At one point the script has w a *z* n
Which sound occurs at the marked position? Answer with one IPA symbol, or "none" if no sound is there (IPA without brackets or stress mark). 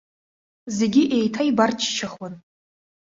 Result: none